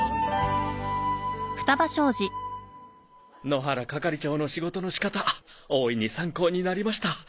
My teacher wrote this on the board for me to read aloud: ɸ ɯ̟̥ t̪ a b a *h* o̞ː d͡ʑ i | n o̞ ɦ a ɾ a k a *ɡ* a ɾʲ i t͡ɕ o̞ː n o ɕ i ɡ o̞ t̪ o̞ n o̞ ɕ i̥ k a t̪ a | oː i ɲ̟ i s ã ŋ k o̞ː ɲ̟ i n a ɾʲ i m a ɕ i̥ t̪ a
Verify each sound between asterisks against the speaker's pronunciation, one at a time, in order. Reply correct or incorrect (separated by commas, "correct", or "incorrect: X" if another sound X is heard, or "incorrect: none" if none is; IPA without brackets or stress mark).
incorrect: ɕ, incorrect: k